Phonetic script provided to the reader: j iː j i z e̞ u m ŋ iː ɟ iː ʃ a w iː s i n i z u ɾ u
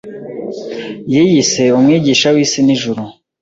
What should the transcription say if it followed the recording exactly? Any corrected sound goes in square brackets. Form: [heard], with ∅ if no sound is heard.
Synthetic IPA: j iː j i [s] e̞ u m ŋ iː ɟ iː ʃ a w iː s i n i [ʒ] u ɾ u